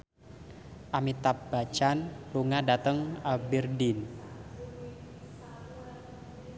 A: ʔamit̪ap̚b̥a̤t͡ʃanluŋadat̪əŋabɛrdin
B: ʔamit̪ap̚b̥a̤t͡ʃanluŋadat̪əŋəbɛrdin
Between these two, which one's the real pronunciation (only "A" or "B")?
A